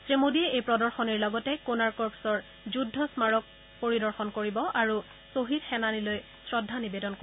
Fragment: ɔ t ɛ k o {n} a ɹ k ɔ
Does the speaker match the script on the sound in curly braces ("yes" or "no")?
yes